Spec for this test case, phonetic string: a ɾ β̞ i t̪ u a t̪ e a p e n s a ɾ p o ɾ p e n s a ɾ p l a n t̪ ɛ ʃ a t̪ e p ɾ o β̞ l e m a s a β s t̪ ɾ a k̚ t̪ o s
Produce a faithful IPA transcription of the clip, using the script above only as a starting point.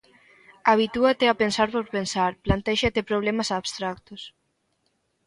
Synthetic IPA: a β̞ i t̪ u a t̪ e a p e n s a ɾ p o ɾ p e n s a ɾ p l a n t̪ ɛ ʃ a t̪ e p ɾ o β̞ l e m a s a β s t̪ ɾ a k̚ t̪ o s